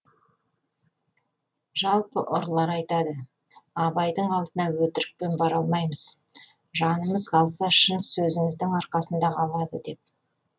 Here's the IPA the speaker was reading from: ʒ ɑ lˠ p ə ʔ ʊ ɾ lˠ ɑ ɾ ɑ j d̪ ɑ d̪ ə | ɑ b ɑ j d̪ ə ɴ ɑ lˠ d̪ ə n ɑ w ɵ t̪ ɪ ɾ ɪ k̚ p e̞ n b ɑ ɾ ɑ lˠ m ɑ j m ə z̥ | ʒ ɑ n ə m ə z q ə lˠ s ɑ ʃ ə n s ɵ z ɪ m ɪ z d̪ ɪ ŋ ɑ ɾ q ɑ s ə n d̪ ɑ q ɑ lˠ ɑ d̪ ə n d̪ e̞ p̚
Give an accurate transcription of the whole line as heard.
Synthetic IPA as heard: ʒ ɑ lˠ p ə ʔ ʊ ɾ lˠ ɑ ɾ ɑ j t̪ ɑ d̪ ə | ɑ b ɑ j d̪ ə ɴ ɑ lˠ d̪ ə n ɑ w ɵ t̪ ɪ ɾ ɪ k̚ p e̞ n b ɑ ɾ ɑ lˠ m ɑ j m ə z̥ | ʒ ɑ n ə m ə z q ɑ lˠ s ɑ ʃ ə n s ɵ z ɪ m ɪ z d̪ ɪ ŋ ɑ ɾ q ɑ s ə n d̪ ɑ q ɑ lˠ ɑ d̪ ə d̪ e̞ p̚